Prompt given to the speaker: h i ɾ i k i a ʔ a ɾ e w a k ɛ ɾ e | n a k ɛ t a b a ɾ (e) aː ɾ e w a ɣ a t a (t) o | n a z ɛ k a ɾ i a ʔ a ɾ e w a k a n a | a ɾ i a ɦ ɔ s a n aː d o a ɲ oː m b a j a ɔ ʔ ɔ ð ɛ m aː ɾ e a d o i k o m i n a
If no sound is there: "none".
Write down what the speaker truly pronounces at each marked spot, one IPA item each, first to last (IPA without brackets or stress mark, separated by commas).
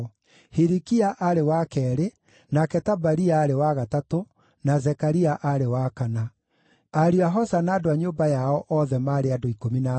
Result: i, t